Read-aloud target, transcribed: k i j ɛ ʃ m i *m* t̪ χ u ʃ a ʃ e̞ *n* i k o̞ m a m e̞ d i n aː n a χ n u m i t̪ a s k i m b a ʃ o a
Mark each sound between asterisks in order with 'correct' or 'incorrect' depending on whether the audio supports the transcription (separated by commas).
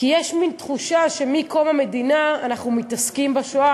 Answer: incorrect, incorrect